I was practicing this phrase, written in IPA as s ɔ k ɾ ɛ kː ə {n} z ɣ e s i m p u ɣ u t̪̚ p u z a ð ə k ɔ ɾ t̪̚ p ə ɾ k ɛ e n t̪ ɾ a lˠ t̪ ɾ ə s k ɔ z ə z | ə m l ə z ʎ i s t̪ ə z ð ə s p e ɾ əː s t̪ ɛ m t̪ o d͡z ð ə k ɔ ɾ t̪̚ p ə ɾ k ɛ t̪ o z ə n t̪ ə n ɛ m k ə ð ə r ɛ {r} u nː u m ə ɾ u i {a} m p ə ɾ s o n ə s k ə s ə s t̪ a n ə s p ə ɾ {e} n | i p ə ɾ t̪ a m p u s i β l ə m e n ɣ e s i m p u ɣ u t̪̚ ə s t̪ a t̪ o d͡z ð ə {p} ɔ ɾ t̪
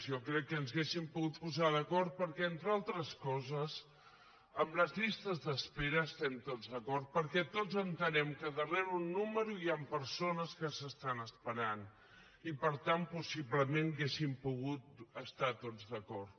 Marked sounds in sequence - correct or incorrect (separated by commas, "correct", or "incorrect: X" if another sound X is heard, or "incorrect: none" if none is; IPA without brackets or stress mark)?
correct, incorrect: ɾ, correct, incorrect: a, incorrect: k